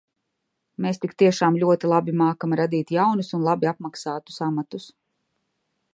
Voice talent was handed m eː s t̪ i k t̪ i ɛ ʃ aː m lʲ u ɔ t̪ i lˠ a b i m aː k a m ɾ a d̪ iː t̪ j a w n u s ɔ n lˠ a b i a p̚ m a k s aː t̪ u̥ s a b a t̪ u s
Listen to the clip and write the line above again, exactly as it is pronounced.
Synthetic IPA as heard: m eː s t̪ i k t̪ i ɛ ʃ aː m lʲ u ɔ t̪ i lˠ a b i m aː k a m ɾ a d̪ iː t̪ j a w n u s u n lˠ a b i a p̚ m a k s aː t̪ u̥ s a m a t̪ u s